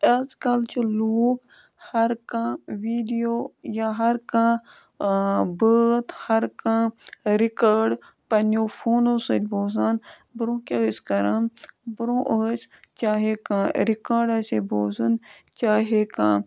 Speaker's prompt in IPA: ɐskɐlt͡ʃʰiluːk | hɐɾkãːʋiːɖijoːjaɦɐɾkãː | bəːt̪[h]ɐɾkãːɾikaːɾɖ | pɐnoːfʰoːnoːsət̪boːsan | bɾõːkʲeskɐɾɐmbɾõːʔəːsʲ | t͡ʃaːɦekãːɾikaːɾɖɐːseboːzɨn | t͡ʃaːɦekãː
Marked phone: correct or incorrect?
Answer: correct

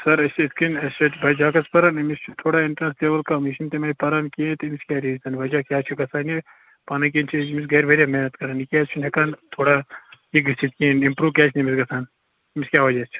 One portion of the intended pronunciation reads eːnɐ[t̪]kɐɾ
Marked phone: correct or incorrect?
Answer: correct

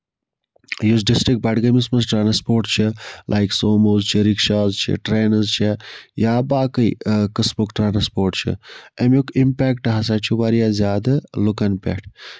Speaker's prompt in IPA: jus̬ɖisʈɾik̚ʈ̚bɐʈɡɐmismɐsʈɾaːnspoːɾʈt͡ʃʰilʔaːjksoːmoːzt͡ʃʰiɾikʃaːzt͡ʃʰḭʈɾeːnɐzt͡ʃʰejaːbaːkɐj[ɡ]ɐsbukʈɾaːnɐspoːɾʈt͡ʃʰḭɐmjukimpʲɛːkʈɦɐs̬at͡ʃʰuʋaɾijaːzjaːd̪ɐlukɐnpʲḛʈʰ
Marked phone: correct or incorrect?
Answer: incorrect: k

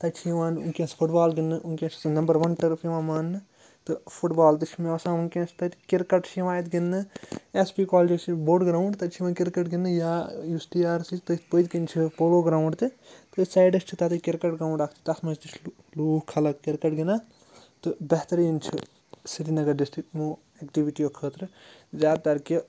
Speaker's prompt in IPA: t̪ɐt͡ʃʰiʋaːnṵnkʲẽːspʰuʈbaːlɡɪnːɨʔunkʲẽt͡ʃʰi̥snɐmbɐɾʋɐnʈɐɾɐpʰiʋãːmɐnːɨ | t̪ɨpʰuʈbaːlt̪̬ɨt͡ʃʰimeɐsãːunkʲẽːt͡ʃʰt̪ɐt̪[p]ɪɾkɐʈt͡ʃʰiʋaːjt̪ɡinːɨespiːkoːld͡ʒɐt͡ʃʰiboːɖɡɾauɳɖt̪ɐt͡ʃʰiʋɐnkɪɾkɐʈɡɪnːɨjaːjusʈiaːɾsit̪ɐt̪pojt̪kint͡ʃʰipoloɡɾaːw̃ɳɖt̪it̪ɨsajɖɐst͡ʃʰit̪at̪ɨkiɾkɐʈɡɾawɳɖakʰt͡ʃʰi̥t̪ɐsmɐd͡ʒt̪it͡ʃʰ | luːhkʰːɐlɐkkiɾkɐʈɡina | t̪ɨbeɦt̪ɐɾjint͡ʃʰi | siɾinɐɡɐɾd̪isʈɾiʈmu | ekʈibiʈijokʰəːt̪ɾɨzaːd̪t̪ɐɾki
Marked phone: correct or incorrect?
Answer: incorrect: k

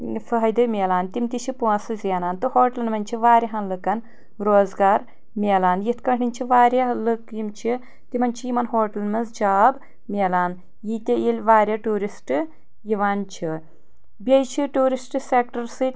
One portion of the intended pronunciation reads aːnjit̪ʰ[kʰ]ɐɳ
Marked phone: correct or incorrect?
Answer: incorrect: k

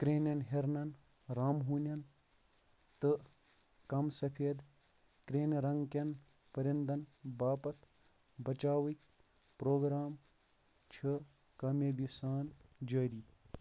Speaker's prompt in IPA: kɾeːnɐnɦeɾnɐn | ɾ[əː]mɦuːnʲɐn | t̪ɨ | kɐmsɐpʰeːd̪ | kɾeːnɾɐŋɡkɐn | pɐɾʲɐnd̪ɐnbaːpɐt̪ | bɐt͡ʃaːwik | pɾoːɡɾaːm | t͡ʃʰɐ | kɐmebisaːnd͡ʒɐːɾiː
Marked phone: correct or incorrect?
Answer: incorrect: aː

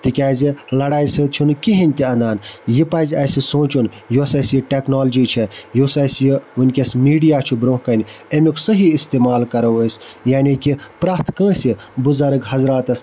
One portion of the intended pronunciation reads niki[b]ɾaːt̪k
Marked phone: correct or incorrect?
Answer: incorrect: p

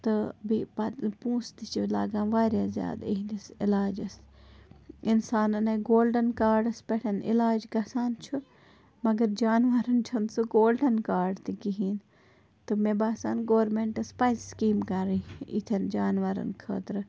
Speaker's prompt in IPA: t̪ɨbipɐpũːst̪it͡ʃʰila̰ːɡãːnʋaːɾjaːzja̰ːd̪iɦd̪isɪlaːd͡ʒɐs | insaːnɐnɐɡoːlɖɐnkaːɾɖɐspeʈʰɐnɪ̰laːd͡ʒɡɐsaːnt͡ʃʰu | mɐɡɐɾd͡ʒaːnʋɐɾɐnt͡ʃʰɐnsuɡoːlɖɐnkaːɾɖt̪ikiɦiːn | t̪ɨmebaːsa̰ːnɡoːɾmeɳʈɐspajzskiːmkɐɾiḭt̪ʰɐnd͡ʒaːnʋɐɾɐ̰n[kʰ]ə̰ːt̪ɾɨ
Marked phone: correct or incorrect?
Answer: correct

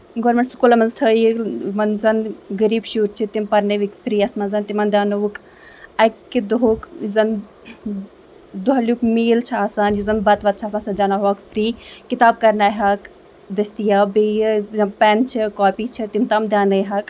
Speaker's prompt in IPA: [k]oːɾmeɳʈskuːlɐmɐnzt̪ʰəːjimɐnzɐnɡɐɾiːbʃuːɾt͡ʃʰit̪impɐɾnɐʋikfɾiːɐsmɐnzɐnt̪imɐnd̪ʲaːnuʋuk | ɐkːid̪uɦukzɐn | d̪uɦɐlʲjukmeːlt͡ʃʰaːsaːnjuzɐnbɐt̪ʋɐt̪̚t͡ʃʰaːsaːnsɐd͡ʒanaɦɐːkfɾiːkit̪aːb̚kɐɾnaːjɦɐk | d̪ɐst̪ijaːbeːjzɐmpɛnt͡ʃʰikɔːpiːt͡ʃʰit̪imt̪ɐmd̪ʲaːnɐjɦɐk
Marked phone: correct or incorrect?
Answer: incorrect: ɡ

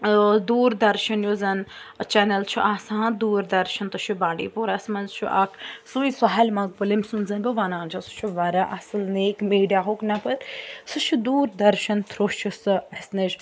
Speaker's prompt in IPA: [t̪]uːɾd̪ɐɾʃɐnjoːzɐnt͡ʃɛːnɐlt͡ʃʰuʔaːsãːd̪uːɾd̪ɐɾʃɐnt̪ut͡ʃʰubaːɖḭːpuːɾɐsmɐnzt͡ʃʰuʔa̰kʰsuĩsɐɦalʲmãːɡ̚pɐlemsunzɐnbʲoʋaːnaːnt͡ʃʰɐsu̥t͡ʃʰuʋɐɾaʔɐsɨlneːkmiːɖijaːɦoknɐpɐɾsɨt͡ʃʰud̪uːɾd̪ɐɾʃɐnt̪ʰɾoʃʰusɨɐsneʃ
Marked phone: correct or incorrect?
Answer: incorrect: d̪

